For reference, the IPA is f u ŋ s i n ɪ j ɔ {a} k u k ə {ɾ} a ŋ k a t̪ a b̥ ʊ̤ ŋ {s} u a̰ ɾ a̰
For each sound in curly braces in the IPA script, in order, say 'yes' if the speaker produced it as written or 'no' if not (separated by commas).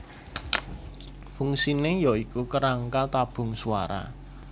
no, yes, yes